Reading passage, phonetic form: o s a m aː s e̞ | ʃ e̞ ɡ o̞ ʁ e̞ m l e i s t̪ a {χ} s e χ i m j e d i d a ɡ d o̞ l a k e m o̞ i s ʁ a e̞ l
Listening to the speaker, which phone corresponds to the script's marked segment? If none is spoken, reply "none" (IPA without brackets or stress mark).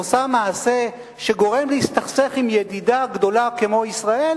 χ